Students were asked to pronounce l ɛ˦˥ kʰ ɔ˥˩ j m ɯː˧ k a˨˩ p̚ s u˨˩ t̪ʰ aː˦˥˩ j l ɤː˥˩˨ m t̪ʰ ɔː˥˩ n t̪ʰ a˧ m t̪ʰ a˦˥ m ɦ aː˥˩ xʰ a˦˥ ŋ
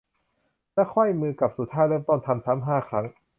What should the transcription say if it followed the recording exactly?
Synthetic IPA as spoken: l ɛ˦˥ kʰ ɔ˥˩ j m ɯː˧ k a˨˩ p̚ s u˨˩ t̪ʰ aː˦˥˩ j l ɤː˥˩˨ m t̪ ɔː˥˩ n t̪ʰ a˧ m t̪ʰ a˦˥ m ɦ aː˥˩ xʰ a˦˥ ŋ